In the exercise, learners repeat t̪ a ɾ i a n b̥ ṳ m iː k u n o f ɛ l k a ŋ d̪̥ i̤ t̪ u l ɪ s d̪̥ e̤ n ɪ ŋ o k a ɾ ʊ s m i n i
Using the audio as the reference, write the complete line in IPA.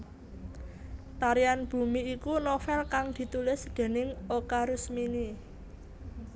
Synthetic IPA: t̪ a ɾ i a n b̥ ṳ m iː k u n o f ɛ l k a ŋ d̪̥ i̤ t̪ u l ɪ s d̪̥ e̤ n ɪ ŋ o k a ɾ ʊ s m i n i